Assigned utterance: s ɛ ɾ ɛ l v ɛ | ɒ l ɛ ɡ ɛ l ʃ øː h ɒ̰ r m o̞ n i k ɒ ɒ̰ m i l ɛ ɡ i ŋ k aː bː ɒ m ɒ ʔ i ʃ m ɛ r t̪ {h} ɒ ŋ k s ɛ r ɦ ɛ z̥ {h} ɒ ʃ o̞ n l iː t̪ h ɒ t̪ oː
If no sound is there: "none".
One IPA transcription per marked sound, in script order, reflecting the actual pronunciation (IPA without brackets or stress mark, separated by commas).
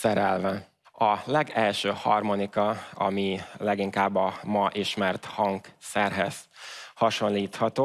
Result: h, h